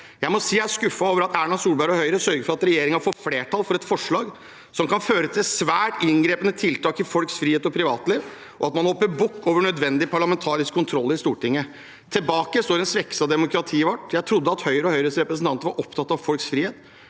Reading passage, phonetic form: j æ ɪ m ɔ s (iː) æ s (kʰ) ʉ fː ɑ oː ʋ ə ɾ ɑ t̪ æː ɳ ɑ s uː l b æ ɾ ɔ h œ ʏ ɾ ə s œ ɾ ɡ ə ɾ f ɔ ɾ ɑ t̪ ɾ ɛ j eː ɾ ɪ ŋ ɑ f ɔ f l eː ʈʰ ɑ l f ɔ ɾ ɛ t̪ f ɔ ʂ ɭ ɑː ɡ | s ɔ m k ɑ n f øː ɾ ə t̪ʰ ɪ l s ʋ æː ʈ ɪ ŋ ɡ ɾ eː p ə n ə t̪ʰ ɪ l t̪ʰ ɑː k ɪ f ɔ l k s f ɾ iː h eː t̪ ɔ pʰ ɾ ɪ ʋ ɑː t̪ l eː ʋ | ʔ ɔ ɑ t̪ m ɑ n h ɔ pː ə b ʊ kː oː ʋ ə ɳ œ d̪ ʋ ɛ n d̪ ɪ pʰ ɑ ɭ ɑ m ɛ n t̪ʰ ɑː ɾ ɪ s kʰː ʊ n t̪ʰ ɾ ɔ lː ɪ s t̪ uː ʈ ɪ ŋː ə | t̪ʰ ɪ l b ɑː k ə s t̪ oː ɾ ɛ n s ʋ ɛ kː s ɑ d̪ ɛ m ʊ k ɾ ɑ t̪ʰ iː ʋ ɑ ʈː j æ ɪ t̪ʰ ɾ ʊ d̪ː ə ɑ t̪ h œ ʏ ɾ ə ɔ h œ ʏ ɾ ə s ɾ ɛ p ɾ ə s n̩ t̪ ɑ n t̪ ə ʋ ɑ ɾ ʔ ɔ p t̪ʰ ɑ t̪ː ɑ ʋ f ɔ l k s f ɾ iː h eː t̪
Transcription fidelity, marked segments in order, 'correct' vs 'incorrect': correct, incorrect: k

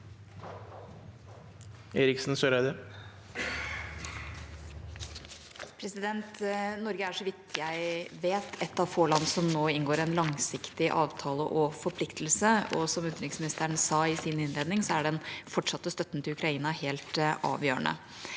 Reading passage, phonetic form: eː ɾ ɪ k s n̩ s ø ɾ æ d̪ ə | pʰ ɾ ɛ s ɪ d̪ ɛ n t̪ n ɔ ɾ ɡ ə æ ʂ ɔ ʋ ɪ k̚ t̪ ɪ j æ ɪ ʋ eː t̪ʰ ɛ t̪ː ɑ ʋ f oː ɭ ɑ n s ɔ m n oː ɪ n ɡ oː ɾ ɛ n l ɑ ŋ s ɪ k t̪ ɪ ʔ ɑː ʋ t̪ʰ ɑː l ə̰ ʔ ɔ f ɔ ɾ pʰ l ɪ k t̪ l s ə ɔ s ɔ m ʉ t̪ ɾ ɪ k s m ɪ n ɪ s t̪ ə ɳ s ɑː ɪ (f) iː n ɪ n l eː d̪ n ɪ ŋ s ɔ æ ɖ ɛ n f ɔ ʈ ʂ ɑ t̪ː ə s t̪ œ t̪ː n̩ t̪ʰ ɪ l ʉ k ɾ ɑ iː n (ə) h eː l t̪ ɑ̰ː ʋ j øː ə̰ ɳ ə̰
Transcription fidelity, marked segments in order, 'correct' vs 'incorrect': incorrect: s, incorrect: ɑ

